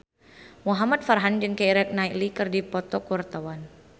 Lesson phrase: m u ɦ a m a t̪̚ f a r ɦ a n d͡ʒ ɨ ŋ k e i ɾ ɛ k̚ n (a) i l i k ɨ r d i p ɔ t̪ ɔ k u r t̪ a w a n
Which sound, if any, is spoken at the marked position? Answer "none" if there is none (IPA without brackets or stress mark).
a